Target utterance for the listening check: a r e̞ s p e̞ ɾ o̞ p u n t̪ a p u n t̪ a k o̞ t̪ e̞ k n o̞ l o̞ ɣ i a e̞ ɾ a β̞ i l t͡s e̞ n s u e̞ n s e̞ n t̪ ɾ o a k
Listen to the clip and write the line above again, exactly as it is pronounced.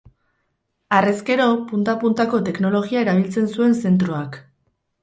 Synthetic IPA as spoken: a r e̞ s k e̞ ɾ o̞ p u n t̪ a p u n t̪ a k o̞ t̪ e̞ k n o̞ l o̞ ɣ i a e̞ ɾ a β̞ i l t͡s e̞ n s u e̞ n s e̞ n t̪ ɾ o a k